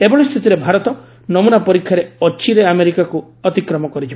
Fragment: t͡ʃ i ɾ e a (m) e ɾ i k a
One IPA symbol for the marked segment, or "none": m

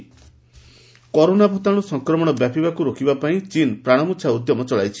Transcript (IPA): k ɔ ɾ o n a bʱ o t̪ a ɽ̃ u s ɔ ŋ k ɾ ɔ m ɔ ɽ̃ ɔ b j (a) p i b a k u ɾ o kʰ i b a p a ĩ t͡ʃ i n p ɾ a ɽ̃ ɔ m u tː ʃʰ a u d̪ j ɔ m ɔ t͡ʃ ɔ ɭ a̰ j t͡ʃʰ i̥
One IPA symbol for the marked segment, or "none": a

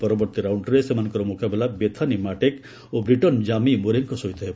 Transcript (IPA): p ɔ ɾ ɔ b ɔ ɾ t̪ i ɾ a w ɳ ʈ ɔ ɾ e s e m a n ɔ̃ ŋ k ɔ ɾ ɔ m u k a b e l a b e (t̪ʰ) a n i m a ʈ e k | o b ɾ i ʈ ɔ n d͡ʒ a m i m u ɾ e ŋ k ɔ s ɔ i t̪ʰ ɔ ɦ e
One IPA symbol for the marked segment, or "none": t̪ʰ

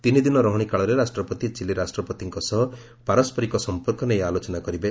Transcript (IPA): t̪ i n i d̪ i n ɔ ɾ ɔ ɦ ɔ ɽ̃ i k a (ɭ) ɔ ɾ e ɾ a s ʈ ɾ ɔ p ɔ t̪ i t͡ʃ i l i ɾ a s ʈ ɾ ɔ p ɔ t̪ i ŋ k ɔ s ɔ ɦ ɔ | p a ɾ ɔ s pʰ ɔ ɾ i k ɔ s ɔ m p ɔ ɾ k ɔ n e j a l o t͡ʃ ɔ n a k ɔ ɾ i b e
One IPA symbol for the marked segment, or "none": ɭ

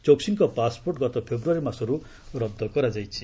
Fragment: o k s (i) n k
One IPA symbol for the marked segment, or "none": i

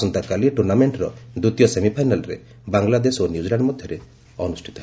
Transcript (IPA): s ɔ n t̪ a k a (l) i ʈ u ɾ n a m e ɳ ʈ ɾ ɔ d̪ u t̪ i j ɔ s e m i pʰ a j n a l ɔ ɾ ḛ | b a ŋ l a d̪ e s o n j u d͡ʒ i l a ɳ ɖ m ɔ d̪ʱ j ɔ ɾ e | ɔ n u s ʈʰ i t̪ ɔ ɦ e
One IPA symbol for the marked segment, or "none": l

